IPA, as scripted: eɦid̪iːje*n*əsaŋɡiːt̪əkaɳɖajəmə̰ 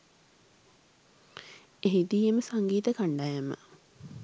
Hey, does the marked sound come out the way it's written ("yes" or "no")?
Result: no